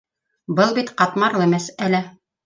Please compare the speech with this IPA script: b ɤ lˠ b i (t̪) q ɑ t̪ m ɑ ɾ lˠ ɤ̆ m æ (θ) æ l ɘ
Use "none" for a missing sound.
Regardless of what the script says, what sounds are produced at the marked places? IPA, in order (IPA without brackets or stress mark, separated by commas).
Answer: t̪, s